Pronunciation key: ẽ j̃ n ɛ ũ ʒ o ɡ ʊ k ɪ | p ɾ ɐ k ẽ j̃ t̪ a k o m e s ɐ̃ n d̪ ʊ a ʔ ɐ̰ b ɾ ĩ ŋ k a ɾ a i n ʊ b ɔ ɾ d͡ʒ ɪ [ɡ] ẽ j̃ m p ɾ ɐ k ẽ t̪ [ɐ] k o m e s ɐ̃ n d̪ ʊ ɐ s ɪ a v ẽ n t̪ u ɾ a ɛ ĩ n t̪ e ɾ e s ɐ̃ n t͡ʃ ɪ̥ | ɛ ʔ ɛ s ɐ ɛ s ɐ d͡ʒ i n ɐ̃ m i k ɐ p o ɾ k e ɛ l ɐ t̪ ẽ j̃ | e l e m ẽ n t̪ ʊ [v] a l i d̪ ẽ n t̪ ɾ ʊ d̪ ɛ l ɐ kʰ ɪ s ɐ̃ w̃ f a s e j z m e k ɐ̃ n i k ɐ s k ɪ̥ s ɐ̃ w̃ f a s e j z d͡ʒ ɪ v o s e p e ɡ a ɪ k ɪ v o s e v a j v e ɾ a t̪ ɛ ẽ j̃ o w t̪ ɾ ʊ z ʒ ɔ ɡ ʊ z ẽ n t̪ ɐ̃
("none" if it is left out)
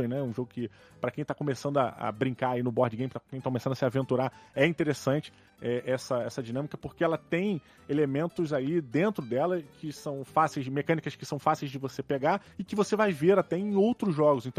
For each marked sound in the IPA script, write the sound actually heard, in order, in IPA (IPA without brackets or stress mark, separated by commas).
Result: ɡ, a, z